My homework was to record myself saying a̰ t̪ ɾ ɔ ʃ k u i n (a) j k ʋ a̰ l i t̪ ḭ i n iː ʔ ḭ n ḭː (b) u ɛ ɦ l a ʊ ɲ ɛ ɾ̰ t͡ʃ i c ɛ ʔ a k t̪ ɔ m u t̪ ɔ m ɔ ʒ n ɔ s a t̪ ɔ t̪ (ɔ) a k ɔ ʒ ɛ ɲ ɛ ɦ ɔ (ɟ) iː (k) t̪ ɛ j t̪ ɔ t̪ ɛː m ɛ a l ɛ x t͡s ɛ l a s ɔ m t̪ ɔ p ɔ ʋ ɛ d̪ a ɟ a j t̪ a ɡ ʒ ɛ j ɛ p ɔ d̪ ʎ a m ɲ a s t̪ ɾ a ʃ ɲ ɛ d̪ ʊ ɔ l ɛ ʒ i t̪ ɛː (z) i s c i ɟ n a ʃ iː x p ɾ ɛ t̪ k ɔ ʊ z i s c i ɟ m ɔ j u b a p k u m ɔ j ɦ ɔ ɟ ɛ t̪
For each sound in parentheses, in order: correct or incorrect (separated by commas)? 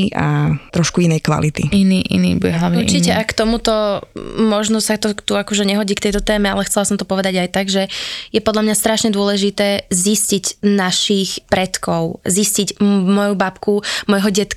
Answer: incorrect, correct, incorrect, correct, correct, correct